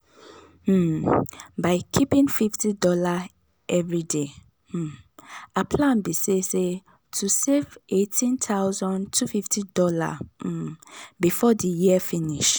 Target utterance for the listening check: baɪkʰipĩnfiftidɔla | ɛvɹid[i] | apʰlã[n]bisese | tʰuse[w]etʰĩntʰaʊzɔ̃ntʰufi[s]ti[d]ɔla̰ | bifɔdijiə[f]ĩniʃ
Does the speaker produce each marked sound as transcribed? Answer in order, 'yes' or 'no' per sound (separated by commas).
no, yes, no, no, yes, yes